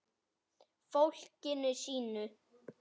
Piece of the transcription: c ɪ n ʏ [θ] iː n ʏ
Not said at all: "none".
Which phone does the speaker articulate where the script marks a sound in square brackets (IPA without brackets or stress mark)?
s